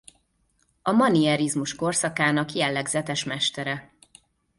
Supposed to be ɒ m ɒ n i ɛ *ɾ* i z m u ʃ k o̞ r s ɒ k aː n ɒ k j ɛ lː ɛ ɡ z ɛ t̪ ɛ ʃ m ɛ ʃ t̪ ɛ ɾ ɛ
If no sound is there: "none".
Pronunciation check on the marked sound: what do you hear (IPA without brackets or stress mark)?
ɾ